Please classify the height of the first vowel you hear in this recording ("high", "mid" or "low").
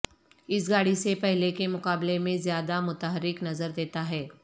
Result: high